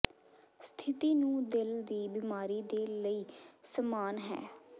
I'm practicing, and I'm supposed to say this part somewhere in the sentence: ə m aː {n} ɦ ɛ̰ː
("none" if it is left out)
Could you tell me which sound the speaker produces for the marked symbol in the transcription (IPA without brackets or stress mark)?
n